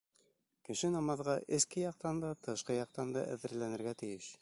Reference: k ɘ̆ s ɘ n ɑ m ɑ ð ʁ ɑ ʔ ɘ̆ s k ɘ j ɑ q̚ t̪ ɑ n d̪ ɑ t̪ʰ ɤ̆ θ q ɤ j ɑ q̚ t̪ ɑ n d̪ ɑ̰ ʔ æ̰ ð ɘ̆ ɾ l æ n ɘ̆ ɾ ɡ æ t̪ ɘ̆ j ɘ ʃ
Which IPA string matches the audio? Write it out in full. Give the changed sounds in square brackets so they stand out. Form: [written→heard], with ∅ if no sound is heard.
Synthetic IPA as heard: k ɘ̆ [s→ʃ] ɘ n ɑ m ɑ ð ʁ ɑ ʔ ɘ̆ s k ɘ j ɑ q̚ t̪ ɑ n d̪ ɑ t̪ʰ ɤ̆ [θ→ʃ] q ɤ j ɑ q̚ t̪ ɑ n d̪ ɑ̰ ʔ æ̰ ð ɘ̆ ɾ l æ n ɘ̆ ɾ ɡ æ t̪ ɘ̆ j ɘ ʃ